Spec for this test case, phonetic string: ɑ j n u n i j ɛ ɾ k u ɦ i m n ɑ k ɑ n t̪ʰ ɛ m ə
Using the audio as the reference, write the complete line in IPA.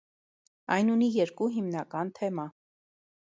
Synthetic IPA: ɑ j n u n i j ɛ ɾ k u ɦ i m n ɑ k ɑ n t̪ʰ ɛ m ɑ